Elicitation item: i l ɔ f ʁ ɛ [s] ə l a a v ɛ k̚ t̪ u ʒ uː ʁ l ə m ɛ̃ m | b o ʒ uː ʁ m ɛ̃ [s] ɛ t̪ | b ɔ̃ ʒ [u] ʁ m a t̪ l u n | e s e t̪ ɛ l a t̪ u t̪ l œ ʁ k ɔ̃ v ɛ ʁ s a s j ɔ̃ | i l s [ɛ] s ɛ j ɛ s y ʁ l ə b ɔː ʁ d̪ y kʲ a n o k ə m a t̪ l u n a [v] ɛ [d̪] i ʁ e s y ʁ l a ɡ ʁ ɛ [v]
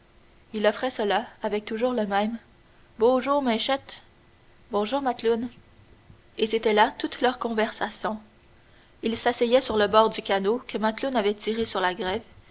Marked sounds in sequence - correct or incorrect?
correct, incorrect, incorrect, incorrect, correct, incorrect, correct

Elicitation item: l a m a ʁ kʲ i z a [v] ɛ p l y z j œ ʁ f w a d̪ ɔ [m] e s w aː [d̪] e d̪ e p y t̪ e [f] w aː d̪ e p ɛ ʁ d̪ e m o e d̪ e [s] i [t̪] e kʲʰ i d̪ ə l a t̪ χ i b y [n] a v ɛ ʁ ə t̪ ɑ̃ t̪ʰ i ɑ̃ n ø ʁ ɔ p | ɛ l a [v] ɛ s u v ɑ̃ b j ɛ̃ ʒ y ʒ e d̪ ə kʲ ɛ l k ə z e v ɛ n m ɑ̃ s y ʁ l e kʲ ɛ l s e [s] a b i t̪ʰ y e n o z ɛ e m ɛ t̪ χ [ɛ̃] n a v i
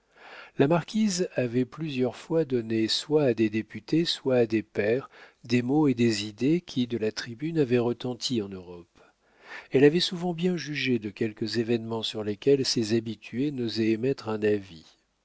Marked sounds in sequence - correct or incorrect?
correct, incorrect, correct, incorrect, incorrect, incorrect, correct, correct, incorrect, correct

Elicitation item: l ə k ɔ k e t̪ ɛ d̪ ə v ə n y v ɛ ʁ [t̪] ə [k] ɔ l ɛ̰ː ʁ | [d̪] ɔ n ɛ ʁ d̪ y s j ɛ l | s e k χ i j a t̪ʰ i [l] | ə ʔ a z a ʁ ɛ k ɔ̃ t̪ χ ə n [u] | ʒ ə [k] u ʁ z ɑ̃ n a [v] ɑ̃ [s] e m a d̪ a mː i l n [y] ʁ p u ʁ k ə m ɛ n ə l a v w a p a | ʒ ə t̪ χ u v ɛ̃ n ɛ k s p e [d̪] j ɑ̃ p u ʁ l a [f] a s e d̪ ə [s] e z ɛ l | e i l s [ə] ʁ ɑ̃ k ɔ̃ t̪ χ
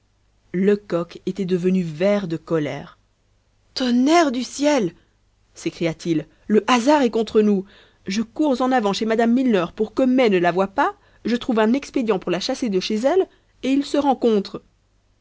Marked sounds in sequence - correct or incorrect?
incorrect, correct, incorrect, incorrect, correct, correct, correct, incorrect, incorrect, correct, incorrect, incorrect, correct

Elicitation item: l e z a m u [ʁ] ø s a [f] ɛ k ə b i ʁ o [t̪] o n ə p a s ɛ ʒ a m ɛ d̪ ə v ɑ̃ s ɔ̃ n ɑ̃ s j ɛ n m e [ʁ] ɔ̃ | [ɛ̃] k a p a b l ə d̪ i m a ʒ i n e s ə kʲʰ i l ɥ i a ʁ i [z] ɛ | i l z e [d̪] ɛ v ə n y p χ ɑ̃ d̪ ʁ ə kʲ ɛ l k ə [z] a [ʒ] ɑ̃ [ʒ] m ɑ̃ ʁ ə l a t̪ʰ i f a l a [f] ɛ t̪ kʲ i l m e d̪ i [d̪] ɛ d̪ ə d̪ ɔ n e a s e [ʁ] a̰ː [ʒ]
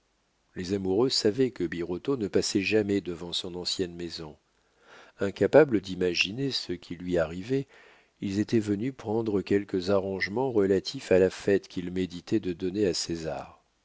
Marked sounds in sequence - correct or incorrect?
correct, incorrect, correct, incorrect, correct, incorrect, incorrect, correct, incorrect, correct, correct, incorrect, incorrect, incorrect

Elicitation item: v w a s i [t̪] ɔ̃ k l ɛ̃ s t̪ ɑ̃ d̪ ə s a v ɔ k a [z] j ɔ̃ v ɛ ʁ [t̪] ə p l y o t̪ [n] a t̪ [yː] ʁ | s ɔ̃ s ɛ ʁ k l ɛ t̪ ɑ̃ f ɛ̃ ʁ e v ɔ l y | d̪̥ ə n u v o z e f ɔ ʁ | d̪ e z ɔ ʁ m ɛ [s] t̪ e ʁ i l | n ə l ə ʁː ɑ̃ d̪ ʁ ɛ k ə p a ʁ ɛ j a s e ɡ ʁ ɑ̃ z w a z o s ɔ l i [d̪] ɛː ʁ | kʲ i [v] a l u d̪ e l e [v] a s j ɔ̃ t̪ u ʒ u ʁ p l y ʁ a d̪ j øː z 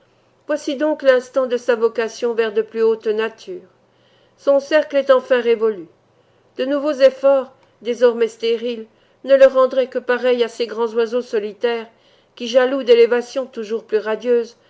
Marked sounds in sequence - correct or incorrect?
incorrect, incorrect, incorrect, correct, correct, correct, incorrect, incorrect, correct

